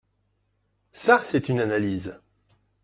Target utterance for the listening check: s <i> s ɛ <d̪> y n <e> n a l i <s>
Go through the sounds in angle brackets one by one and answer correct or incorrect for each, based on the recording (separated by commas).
incorrect, incorrect, incorrect, incorrect